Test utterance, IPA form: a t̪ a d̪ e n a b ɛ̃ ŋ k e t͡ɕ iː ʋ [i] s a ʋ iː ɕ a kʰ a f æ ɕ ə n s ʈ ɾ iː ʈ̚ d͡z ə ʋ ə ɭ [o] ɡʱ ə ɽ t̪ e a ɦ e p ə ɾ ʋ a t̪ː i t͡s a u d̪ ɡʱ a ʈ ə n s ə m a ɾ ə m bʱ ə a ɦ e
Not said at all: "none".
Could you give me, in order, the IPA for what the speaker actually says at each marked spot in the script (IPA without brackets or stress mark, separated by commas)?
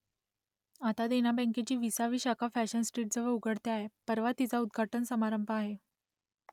i, u